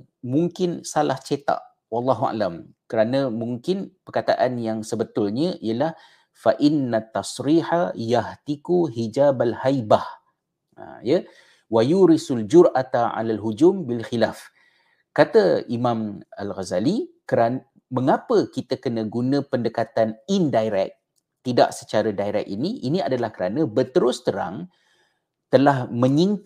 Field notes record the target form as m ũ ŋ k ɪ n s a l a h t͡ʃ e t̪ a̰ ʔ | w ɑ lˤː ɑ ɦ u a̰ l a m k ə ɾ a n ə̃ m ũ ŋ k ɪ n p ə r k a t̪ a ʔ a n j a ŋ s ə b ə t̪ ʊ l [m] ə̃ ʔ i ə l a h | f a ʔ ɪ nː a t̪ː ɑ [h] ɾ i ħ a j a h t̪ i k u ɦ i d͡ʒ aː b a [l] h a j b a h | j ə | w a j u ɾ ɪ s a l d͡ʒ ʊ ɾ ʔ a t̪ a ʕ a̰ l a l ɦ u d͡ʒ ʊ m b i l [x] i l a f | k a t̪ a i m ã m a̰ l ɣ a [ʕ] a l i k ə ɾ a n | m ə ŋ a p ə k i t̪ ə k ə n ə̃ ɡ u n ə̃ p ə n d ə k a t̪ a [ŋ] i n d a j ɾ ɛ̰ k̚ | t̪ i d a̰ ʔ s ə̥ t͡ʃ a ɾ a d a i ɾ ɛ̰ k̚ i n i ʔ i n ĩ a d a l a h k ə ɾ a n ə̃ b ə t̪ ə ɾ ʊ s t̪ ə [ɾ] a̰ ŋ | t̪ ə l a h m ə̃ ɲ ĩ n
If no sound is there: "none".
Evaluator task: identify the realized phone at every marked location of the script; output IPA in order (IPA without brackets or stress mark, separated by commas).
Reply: ɲ, s, l, x, z, n, ɾ